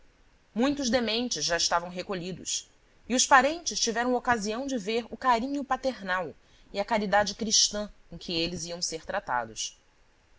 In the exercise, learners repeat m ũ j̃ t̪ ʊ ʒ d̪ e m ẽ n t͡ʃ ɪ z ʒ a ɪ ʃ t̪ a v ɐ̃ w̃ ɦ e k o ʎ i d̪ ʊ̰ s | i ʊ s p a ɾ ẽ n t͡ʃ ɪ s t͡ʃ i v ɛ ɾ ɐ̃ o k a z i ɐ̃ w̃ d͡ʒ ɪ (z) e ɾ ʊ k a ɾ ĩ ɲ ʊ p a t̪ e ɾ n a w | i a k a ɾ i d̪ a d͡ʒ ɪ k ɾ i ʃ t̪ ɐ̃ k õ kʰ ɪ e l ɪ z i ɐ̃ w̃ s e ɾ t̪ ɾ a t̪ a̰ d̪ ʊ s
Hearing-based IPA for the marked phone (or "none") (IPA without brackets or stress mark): v